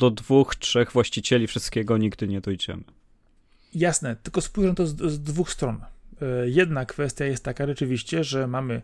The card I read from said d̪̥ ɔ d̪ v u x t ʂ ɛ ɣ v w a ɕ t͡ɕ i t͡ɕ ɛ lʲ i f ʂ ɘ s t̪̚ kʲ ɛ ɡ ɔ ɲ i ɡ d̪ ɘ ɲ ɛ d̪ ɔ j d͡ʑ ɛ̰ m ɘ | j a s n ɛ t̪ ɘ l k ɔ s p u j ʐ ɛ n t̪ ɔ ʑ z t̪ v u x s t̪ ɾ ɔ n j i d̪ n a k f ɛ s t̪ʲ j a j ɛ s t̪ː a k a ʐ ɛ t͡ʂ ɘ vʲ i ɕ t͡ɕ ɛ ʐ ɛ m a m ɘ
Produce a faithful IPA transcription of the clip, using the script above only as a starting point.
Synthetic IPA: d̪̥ ɔ d̪ v u x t ʂ ɛ ɣ v w a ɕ t͡ɕ i t͡ɕ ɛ lʲ i f ʂ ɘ s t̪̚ kʲ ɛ ɡ ɔ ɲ i ɡ d̪ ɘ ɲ ɛ d̪ ɔ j d͡ʑ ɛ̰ m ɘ | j a s n ɛ t̪ ɘ l k ɔ s p u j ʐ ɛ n t̪ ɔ z z d̪ v u x s t̪ ɾ ɔ n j ɛ d̪ n a k f ɛ s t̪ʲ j a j ɛ s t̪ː a k a ʐ ɛ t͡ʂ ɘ vʲ i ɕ t͡ɕ ɛ ʐ ɛ m a m ɘ